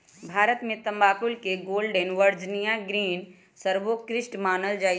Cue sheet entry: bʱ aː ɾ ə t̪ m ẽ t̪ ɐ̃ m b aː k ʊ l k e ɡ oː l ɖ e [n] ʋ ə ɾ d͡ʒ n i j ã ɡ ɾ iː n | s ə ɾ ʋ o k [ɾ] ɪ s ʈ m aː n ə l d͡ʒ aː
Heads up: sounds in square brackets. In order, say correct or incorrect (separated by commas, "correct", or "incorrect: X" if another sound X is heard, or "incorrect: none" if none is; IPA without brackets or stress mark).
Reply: correct, correct